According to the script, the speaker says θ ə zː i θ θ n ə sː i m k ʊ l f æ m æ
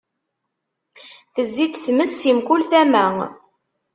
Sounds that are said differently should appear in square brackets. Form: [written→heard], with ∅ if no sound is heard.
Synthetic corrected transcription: θ ə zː i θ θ [n→m] ə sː i m k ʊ l [f→θ] æ m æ